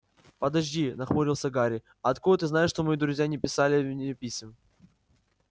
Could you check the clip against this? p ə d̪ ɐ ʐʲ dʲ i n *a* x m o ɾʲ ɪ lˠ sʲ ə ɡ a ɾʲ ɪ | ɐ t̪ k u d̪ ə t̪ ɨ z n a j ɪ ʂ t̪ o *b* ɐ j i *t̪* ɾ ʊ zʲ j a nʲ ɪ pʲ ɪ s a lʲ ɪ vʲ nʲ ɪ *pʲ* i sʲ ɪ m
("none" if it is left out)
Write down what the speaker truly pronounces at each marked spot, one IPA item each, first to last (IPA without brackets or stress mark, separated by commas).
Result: ɐ, m, d̪, pʲ